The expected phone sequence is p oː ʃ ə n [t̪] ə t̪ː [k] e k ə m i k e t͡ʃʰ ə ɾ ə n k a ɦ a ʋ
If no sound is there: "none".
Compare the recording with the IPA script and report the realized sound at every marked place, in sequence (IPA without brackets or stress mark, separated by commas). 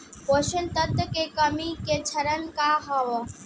t̪, k